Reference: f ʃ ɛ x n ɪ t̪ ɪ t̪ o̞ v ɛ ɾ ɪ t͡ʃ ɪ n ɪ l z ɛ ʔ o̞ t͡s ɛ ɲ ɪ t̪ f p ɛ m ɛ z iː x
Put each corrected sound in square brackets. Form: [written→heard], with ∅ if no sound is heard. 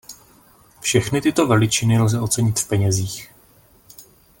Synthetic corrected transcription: f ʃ ɛ x n ɪ t̪ ɪ t̪ o̞ v ɛ [ɾ→l] ɪ t͡ʃ ɪ n ɪ l z ɛ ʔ o̞ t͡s ɛ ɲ ɪ t̪ f p ɛ [m→ɲ] ɛ z iː x